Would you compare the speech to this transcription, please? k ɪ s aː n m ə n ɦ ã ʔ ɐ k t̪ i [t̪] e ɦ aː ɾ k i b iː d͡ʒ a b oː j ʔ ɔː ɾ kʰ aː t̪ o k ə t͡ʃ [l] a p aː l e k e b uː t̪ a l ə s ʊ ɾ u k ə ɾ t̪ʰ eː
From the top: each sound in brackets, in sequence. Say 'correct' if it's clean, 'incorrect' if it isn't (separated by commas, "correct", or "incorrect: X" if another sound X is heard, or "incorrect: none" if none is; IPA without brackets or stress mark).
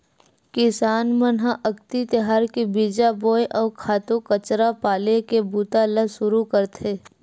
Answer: correct, incorrect: ɾ